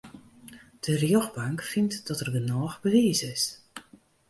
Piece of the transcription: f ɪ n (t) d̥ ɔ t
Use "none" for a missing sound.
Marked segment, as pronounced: t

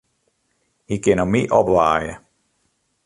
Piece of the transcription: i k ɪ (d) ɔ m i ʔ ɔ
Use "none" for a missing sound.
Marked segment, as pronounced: n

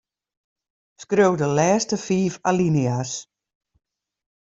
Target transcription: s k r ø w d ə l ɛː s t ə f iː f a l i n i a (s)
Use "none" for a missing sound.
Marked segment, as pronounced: s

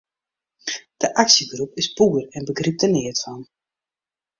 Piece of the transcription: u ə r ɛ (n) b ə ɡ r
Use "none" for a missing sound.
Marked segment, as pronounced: n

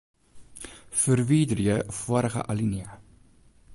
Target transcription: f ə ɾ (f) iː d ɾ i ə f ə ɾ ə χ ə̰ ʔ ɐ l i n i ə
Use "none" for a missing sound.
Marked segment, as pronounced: v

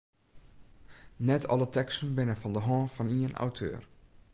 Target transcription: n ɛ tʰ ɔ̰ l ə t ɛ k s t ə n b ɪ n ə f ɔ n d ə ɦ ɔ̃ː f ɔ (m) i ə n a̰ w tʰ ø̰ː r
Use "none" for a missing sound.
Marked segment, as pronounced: n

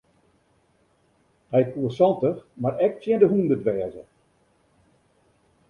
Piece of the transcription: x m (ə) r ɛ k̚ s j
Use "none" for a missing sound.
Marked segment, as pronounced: a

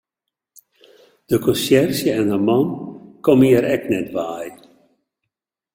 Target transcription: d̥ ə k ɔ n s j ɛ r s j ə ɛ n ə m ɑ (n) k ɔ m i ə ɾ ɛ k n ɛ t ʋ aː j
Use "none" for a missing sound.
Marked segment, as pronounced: n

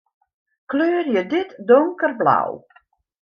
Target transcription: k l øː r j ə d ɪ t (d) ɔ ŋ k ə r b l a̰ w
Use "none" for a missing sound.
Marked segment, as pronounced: d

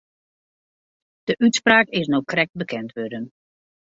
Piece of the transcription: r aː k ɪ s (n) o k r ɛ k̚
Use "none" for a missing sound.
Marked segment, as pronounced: n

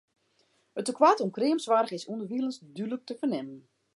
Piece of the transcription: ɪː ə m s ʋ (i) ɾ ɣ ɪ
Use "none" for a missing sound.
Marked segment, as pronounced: a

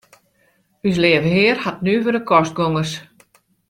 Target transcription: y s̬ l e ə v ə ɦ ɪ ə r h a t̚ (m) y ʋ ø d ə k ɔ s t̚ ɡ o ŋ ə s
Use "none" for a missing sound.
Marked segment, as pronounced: n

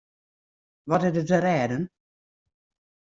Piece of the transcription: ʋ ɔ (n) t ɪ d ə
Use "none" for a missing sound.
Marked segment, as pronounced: none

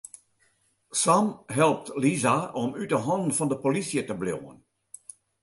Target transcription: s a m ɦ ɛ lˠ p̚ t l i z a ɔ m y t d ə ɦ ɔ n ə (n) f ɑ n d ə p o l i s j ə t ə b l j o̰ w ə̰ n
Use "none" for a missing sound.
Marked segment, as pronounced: n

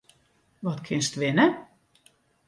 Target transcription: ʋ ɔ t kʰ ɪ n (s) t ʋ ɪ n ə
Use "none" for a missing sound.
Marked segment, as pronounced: s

